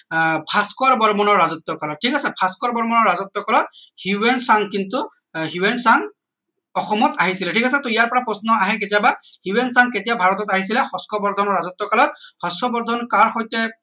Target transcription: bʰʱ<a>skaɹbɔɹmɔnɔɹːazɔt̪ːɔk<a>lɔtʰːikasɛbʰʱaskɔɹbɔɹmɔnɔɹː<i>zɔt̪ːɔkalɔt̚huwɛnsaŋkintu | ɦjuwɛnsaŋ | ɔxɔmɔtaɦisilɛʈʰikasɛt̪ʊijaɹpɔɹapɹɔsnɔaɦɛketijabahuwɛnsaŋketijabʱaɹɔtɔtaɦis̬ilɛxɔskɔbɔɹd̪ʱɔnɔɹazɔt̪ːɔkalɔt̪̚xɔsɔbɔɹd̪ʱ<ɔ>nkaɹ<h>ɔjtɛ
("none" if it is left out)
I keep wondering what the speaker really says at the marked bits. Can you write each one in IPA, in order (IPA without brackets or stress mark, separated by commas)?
a, a, a, ɔ, x